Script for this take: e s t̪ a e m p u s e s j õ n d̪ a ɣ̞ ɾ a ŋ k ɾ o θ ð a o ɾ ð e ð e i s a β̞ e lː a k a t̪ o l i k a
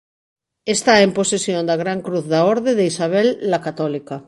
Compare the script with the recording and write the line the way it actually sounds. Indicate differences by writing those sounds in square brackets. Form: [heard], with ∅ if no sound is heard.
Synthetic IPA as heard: e s t̪ a e m p [o] s e s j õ n d̪ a ɣ̞ ɾ a ŋ k ɾ [u] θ ð a o ɾ ð e ð e i s a β̞ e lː a k a t̪ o l i k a

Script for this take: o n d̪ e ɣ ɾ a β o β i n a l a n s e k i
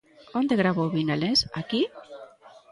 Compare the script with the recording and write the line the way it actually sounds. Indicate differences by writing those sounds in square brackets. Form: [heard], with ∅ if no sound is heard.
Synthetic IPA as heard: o n d̪ e ɣ ɾ a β o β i n a l [e] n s [a] k i

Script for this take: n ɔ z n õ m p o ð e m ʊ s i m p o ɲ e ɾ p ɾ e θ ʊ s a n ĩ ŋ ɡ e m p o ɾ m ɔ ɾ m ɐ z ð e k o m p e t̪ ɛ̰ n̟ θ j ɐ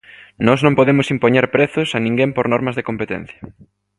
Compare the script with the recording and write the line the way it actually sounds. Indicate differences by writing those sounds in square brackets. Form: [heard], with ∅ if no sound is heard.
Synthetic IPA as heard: n ɔ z n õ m p o ð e m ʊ s i m p o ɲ e ɾ p ɾ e θ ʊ s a n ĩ ŋ ɡ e m p o ɾ [n] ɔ ɾ m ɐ z ð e k o m p e t̪ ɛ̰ n̟ θ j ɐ

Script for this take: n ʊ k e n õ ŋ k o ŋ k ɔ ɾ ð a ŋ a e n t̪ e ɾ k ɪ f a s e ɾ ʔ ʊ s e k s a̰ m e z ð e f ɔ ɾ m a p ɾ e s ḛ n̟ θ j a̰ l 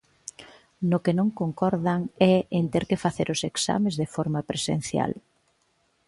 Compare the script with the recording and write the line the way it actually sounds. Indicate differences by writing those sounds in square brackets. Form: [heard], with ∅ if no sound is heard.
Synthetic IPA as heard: n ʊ k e n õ ŋ k o ŋ k ɔ ɾ ð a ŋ [ɛ] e n t̪ e ɾ k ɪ f a [θ] e ɾ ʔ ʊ s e k s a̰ m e z ð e f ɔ ɾ m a p ɾ e s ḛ n̟ θ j a̰ l

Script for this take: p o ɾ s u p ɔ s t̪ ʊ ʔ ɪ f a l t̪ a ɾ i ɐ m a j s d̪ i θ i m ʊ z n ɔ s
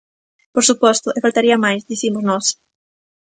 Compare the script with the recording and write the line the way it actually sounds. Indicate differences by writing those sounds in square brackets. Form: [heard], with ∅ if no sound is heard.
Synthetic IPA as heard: p o ɾ s u p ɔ s t̪ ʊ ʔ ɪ f a l t̪ a ɾ i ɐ m a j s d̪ i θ i m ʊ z n ɔ s

